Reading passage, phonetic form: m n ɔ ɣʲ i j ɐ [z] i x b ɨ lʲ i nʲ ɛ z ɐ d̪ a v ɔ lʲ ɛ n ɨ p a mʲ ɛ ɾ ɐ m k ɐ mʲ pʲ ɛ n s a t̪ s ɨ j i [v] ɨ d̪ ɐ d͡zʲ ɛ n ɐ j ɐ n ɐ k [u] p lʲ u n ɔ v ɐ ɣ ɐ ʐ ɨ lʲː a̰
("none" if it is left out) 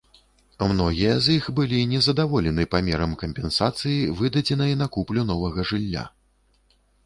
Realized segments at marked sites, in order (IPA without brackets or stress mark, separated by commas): z, v, u